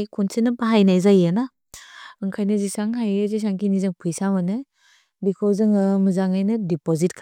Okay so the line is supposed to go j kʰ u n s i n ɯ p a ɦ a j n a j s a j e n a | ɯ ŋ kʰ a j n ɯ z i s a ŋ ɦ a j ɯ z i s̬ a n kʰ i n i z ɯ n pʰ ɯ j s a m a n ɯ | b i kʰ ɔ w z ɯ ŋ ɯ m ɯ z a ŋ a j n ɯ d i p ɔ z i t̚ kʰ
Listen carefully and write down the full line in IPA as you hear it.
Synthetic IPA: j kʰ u n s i n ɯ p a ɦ a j n a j z a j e n a | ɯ ŋ kʰ a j n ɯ z i s a ŋ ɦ a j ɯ z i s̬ a ŋ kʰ i n i z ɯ ŋ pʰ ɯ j s a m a n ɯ | b i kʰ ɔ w z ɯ ŋ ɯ m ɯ z a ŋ a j n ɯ d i p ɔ z i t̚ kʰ